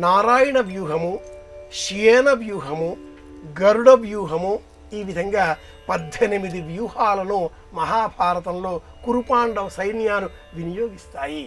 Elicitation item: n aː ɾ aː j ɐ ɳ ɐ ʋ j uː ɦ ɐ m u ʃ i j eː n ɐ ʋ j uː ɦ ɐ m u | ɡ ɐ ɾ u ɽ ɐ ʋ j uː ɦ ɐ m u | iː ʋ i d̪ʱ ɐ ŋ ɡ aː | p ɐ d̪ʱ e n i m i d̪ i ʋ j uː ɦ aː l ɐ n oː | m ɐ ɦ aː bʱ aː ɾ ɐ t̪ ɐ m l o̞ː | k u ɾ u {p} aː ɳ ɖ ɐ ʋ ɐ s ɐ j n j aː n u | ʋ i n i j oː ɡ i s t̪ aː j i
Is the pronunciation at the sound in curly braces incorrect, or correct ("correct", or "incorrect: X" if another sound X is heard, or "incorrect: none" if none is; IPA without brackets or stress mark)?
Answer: correct